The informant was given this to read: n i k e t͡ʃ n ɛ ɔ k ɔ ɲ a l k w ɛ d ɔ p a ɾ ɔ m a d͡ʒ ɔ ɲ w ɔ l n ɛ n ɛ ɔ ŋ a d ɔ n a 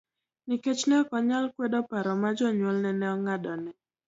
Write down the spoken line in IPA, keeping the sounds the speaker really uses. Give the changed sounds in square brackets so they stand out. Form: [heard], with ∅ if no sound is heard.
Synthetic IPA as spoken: n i k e t͡ʃ n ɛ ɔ k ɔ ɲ a l k w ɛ d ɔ p a ɾ ɔ m a d͡ʒ ɔ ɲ w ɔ l n ɛ n ɛ ɔ ŋ a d ɔ n [ɛ]